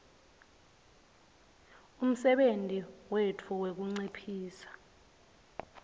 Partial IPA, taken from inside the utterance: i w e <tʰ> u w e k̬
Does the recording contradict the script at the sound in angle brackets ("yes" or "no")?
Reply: no